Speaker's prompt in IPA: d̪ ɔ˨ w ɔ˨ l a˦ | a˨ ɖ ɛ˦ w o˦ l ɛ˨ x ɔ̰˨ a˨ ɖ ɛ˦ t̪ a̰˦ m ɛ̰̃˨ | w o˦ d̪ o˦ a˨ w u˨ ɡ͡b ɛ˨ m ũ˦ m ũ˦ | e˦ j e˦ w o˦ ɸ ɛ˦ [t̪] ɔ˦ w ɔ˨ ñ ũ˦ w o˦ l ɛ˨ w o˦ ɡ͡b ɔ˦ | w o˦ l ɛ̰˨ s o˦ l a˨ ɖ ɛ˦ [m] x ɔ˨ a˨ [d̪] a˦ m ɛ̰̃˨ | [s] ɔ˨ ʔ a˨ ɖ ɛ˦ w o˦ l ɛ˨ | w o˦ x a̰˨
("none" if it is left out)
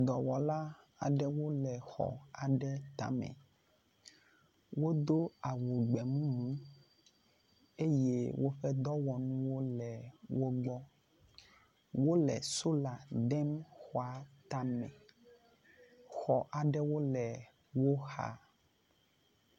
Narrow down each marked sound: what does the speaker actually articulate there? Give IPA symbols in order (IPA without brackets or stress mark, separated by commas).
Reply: d̪, m, t̪, x